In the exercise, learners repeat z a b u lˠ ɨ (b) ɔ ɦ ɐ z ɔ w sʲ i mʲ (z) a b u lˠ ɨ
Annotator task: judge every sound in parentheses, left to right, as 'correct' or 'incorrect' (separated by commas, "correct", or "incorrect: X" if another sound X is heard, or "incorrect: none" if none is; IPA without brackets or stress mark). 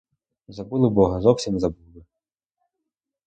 correct, correct